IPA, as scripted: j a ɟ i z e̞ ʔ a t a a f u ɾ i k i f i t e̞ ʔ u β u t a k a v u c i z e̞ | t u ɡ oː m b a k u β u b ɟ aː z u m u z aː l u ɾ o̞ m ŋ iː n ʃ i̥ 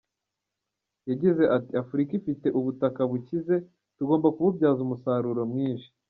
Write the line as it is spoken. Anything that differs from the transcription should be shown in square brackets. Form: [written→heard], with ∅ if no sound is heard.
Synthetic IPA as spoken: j a ɟ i z e̞ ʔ a t [a→i] a f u ɾ i k i f i t e̞ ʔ u β u t a k a [v→β] u c i z e̞ | t u ɡ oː m b a k u β u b ɟ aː z u m u [z→s] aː [l→ɾ] u ɾ o̞ m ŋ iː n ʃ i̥